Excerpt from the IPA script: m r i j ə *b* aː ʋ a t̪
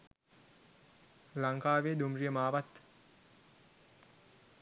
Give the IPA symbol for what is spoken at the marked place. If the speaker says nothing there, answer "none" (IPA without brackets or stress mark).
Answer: m